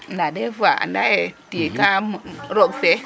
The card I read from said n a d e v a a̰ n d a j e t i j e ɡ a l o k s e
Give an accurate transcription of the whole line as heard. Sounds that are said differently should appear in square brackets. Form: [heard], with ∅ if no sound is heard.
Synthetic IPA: n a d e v a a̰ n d a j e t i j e [k] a [ɾ] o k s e